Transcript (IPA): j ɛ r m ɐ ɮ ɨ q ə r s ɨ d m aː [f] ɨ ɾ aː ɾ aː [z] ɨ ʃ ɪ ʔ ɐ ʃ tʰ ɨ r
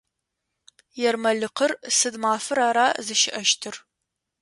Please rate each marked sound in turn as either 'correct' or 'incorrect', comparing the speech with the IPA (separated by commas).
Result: correct, correct